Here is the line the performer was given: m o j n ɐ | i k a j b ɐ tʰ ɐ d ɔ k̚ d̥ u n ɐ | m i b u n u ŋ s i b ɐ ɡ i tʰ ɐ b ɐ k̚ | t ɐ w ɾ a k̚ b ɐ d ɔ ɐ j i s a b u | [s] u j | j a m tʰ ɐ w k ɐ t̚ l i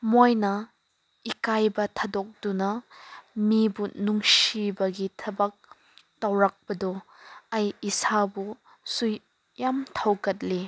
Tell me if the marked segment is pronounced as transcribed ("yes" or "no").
yes